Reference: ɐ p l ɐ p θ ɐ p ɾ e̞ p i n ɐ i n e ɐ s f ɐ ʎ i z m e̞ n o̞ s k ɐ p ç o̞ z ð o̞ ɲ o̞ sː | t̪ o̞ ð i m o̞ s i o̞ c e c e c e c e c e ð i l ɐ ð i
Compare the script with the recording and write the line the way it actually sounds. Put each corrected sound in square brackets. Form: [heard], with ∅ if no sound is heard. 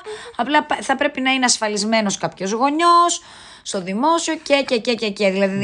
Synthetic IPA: ɐ p l ɐ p θ ɐ p ɾ e̞ p i n ɐ i n e ɐ s f ɐ [l] i z m e̞ n o̞ s k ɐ p ç o̞ z [ɣ] o̞ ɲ o̞ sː | t̪ o̞ ð i m o̞ s i o̞ c e c e c e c e c e ð i l ɐ ð i